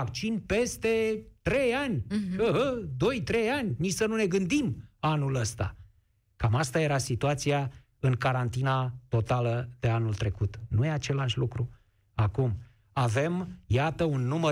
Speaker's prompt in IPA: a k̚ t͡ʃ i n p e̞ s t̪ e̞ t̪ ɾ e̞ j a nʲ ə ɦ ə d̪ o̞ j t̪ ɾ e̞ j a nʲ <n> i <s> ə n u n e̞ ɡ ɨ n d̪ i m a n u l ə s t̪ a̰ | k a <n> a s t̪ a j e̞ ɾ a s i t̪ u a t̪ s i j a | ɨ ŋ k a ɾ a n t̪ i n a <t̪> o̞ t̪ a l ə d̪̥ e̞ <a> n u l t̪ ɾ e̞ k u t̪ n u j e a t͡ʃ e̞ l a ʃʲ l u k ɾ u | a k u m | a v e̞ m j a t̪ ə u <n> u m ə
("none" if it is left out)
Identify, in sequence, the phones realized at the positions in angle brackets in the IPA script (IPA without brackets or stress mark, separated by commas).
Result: n, s, m, t̪, a, nː